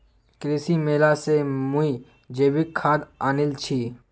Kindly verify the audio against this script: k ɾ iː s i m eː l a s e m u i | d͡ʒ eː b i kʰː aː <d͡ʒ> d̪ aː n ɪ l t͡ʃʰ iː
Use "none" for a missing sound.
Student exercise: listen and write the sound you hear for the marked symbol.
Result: none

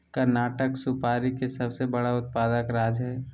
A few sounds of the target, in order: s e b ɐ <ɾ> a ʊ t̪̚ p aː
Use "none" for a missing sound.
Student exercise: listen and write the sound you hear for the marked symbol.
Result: ɽ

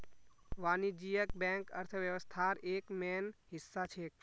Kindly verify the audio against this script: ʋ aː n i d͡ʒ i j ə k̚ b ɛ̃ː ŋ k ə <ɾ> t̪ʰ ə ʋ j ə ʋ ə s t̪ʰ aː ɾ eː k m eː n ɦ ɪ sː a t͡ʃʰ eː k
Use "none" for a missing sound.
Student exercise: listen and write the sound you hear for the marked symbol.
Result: ɾ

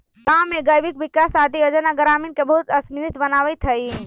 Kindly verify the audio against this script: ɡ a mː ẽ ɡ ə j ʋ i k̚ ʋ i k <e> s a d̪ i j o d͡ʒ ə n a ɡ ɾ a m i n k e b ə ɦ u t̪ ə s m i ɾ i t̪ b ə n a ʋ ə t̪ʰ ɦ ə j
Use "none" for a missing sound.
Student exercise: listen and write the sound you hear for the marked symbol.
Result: a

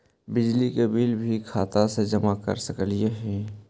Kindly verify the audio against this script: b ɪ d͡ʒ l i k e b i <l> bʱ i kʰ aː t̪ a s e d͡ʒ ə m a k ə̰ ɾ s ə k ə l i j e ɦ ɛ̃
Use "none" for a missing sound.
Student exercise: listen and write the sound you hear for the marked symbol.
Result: l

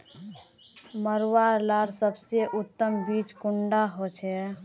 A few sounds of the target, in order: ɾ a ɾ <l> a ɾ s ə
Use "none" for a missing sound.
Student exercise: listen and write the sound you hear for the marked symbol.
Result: l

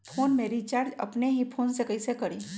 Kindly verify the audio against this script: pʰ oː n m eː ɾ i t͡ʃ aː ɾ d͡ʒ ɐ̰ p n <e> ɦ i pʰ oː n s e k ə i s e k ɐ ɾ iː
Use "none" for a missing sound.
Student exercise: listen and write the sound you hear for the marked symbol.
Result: e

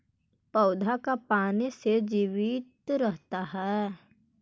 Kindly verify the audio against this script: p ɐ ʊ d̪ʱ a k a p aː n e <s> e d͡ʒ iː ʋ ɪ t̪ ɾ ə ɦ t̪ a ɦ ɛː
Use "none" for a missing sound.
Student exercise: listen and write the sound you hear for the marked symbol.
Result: s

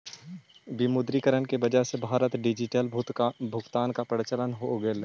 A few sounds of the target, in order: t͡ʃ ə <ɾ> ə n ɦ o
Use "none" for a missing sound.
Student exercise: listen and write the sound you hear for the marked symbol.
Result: l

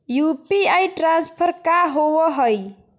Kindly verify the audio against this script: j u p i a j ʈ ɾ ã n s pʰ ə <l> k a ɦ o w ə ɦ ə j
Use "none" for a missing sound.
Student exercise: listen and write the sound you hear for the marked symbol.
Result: ɾ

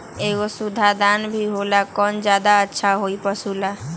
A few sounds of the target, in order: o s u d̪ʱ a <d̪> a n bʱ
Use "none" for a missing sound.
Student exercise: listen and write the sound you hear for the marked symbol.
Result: d̪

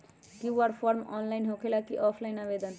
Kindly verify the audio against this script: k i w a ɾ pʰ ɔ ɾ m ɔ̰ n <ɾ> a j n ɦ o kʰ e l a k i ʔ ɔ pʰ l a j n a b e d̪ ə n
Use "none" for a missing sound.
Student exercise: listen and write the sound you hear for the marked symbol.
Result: l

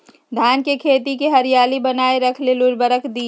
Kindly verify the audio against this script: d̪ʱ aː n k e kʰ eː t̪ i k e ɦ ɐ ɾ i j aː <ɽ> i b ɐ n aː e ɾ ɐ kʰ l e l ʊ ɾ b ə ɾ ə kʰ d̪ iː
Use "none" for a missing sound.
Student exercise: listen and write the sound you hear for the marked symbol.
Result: l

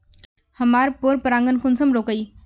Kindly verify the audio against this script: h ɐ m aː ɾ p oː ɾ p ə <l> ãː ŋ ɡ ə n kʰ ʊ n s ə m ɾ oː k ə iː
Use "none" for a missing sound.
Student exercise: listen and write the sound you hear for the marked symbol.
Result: ɾ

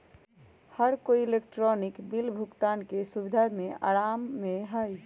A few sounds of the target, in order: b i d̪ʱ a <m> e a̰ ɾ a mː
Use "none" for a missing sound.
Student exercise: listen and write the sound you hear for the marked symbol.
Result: m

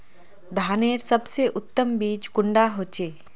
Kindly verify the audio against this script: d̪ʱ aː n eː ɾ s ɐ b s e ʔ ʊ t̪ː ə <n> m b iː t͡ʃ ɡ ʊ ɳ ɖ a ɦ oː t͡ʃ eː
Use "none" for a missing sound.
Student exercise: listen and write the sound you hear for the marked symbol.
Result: none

